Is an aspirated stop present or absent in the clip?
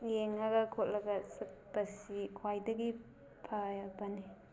present